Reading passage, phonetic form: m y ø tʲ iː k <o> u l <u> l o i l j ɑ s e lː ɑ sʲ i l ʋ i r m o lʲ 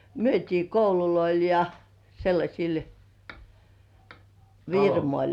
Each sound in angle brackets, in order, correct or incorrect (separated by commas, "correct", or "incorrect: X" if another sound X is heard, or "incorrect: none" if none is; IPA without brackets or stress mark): correct, correct